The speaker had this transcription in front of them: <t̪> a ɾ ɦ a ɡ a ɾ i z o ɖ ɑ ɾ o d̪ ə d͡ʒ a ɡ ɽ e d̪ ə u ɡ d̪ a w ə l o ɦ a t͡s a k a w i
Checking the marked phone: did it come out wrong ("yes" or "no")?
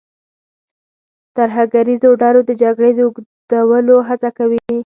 no